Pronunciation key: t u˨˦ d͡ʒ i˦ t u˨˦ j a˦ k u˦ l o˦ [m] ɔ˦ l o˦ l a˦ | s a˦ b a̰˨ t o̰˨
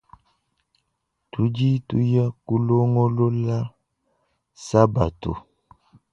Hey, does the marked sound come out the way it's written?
no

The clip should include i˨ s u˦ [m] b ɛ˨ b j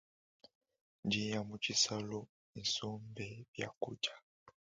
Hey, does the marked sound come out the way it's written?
yes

